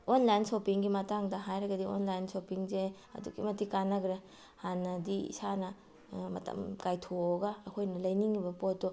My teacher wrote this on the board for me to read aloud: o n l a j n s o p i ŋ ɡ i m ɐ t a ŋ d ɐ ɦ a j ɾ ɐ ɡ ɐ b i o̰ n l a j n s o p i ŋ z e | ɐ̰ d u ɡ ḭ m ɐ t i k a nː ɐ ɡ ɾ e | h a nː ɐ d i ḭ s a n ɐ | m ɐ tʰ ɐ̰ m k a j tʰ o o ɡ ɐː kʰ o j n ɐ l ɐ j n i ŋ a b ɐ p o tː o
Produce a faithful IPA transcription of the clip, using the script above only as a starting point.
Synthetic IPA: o n l a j n s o p i ŋ ɡ i m ɐ t a ŋ d ɐ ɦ a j ɾ ɐ ɡ ɐ d i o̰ n l a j n s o p i ŋ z e | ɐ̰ d u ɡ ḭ m ɐ t i k a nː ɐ ɡ ɾ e | h a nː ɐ d i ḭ s a n ɐ | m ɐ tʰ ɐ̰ m k a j tʰ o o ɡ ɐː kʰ o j n ɐ l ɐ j n i ŋ i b ɐ p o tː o